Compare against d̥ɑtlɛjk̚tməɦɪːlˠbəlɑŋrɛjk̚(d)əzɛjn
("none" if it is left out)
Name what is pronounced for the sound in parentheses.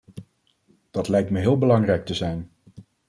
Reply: t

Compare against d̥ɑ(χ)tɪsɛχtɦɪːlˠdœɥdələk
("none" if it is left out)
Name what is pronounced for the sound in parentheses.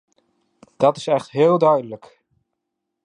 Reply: none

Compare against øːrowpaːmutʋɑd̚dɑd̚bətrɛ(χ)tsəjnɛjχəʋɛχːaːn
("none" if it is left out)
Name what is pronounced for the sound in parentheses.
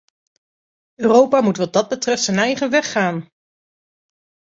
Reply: f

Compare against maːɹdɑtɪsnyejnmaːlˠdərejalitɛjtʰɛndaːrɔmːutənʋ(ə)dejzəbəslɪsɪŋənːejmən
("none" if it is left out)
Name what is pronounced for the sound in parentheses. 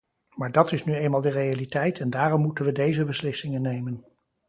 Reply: ə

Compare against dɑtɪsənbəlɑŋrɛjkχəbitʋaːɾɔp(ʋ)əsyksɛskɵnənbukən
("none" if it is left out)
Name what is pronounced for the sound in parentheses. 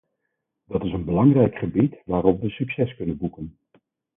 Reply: ʋ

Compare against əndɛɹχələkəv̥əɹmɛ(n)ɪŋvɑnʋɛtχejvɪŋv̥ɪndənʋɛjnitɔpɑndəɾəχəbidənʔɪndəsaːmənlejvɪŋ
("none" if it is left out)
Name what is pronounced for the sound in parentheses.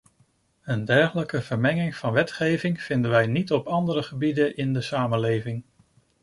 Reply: ŋ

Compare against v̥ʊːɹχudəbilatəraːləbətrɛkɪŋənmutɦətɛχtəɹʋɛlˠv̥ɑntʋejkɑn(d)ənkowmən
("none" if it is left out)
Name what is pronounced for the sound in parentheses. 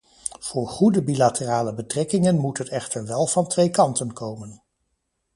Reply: t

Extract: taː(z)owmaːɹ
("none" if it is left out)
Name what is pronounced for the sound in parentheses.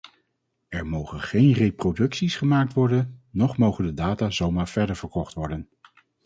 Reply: z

